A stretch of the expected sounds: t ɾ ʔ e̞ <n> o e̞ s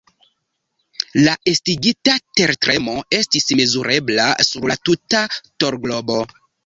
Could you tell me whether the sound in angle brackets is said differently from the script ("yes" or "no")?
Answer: yes